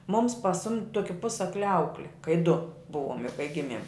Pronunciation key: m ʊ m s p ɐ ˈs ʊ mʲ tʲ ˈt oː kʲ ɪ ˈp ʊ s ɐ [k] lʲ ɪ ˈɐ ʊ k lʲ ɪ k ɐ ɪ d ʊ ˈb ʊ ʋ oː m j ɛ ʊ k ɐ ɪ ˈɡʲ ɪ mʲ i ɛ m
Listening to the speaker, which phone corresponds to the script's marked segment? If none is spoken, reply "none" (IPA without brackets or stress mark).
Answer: k